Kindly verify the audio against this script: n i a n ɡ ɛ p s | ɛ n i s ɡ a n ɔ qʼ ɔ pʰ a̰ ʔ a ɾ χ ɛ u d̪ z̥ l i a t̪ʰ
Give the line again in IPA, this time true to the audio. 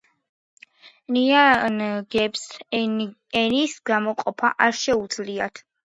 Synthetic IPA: n i a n ɡ ɛ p s | ɛ n i s ɡ a m ɔ qʼ ɔ pʰ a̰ ʔ a ɾ ʃ ɛ u d̪ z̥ l i a t̪ʰ